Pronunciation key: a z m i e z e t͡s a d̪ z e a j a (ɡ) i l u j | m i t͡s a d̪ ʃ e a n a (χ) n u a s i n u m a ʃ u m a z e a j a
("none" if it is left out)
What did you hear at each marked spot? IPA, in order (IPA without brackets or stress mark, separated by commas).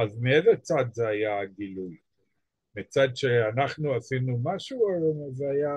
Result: ɡ, χ